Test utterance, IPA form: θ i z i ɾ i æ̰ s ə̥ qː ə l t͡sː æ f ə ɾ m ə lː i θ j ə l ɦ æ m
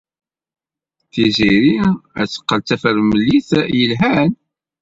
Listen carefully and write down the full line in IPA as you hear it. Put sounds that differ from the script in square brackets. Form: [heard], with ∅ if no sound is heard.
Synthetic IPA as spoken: θ i z i ɾ i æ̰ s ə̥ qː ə l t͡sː æ f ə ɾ m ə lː i θ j ə l ɦ æ [n]